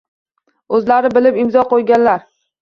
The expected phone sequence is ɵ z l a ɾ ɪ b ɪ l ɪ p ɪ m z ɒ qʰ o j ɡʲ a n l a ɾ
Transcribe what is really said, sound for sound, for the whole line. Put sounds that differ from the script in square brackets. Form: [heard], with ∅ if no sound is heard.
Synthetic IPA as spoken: ɵ z l a ɾ ɪ b ɪ l ɪ p ɪ m z ɒ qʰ o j ɡʲ a n l a ɾ